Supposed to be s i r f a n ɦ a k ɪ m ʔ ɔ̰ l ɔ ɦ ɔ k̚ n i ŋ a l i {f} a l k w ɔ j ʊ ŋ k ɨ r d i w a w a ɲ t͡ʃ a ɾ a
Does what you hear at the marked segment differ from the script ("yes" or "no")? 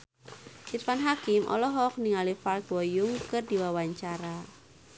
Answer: no